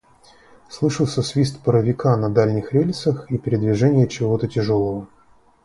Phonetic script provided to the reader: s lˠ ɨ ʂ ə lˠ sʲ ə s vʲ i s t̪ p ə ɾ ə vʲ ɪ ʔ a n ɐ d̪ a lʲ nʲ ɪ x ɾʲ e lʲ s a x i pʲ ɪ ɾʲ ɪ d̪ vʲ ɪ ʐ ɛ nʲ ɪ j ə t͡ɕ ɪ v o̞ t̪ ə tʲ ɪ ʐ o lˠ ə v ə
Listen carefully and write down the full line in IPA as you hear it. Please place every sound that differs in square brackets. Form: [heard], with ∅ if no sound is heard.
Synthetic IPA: s lˠ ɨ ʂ ə lˠ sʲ ə s vʲ i s t̪ p ə ɾ ə vʲ ɪ [k] a n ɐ d̪ a lʲ nʲ ɪ x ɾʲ e lʲ s [ə] x i pʲ ɪ ɾʲ ɪ d̪ vʲ ɪ ʐ ɛ nʲ ɪ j ə t͡ɕ ɪ v o̞ t̪ ə tʲ ɪ ʐ o lˠ ə v ə